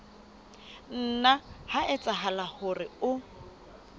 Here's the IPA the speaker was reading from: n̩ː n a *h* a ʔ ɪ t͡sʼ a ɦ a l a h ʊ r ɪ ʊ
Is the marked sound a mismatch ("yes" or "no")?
no